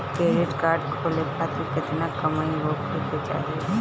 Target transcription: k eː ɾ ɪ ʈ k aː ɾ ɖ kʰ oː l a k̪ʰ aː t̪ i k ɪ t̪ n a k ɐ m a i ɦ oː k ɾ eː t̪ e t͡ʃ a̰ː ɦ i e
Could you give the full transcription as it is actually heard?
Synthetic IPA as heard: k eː ɾ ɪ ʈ k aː ɾ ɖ kʰ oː l e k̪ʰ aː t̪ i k ɪ t̪ n a k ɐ m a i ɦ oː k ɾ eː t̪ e t͡ʃ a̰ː ɦ i e